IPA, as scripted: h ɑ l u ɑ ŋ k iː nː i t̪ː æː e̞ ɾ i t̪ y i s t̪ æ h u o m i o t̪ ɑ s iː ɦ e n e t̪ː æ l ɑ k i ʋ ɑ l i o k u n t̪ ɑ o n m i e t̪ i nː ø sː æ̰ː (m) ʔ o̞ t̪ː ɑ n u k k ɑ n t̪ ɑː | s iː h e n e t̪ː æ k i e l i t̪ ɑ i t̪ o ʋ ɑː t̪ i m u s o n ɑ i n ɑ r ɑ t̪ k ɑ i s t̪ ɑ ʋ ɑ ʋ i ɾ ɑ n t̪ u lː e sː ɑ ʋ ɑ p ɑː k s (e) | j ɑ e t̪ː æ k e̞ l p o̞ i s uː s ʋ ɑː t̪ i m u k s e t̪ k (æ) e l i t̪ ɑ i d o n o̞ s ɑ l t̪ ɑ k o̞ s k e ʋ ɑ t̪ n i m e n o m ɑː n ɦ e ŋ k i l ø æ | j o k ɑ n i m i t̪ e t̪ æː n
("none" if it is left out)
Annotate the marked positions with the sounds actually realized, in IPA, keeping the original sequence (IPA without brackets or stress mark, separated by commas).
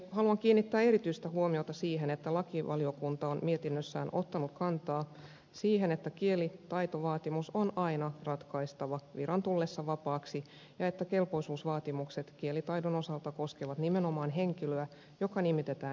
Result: n, i, i